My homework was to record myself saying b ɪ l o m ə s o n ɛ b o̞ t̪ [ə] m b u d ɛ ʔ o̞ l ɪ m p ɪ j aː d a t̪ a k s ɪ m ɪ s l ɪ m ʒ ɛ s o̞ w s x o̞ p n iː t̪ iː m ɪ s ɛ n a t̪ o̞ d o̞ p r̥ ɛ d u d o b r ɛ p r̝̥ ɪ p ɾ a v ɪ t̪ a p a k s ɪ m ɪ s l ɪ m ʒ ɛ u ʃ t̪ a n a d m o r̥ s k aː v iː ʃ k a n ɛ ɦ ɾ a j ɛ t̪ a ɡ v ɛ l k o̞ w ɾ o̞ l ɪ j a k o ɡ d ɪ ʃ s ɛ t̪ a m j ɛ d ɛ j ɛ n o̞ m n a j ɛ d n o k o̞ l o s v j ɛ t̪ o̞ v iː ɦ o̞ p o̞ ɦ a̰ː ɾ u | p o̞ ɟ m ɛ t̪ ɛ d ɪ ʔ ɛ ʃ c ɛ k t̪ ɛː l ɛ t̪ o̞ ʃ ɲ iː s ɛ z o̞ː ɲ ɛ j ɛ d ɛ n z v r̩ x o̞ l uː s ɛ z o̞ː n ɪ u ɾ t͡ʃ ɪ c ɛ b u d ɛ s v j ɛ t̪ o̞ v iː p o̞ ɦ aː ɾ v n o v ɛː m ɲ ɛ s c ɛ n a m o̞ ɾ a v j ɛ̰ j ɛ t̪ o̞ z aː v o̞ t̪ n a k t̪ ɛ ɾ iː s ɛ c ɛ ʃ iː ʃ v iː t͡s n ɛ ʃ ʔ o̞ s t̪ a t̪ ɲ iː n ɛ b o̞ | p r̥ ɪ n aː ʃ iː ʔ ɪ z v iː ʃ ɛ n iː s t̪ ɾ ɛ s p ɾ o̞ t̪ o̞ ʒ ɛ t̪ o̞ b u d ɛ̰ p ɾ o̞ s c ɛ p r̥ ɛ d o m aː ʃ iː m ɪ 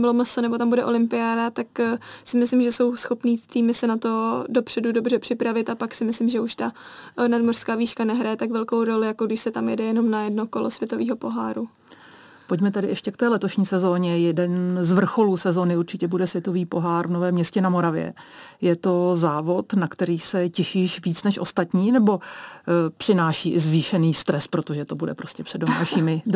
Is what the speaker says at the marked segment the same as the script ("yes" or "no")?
no